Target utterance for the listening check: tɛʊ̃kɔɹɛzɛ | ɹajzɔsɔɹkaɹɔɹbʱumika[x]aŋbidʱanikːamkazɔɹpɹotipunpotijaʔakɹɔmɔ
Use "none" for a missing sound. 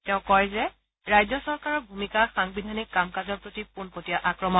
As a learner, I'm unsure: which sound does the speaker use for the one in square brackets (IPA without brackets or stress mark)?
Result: x